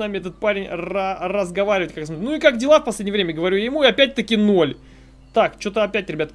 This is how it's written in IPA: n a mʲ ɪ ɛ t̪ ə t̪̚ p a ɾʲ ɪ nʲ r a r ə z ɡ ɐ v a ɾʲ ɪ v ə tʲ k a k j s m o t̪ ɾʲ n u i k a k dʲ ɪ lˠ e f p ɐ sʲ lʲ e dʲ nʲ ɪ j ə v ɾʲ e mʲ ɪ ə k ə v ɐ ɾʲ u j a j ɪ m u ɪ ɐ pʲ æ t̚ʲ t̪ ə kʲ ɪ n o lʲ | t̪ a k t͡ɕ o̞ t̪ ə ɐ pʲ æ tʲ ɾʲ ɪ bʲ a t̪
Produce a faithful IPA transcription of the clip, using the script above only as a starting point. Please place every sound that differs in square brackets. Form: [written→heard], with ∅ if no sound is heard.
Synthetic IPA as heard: n a mʲ ɪ ɛ t̪ ə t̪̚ p a ɾʲ ɪ nʲ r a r ə z ɡ ɐ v a ɾʲ ɪ v ə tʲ k a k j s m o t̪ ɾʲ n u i k a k dʲ ɪ lˠ [e→a] f p ɐ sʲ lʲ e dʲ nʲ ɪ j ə v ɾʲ e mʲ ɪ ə [k→ɡ] ə v ɐ ɾʲ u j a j ɪ m u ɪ ɐ pʲ æ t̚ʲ t̪ ə kʲ ɪ n o lʲ | t̪ a k t͡ɕ o̞ t̪ ə ɐ pʲ æ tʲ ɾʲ ɪ bʲ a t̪